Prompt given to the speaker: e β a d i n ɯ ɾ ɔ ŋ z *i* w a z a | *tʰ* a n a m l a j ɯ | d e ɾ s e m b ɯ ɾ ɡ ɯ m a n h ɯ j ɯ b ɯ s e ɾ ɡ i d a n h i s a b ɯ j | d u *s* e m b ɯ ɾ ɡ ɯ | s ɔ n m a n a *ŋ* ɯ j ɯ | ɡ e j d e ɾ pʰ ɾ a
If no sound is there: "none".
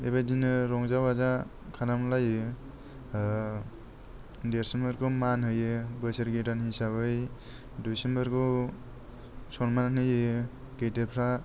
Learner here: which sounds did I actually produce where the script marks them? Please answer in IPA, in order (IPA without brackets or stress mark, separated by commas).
a, kʰ, s, n